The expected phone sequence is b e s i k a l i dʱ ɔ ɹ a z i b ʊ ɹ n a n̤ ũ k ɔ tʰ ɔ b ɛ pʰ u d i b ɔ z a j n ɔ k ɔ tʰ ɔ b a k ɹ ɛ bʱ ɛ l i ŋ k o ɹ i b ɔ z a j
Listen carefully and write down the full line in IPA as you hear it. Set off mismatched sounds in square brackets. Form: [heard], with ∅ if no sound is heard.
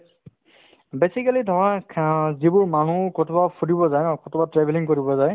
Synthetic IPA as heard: b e s i k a l i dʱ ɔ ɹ a z i b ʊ ɹ [m] a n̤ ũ k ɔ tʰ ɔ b [a] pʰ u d i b ɔ z a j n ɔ k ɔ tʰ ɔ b a [t] ɹ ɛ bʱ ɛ l i ŋ k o ɹ i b ɔ z a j